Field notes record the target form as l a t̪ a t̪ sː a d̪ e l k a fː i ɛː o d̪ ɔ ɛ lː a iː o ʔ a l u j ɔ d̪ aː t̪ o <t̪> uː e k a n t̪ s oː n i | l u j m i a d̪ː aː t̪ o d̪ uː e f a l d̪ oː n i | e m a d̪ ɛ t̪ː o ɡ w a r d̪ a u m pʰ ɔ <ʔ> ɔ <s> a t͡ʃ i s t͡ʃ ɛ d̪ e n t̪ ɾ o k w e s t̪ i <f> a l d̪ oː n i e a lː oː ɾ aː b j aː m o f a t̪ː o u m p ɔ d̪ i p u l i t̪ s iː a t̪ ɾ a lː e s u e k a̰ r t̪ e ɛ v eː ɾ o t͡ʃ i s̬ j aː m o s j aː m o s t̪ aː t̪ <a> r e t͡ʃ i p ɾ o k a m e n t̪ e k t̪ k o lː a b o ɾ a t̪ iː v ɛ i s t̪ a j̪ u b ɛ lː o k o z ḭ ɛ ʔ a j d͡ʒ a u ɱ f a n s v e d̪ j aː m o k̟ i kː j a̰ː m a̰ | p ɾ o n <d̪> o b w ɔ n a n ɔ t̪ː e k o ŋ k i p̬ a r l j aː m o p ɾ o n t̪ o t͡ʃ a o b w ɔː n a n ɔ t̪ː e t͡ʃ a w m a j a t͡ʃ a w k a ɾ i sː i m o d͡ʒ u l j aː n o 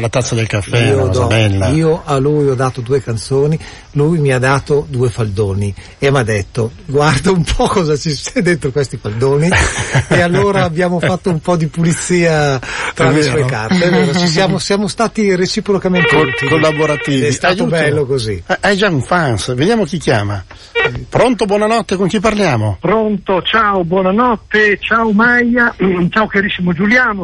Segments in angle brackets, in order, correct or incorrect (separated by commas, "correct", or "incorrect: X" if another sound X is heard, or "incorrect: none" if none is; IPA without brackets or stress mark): incorrect: d̪, incorrect: k, incorrect: z, correct, incorrect: i, incorrect: t̪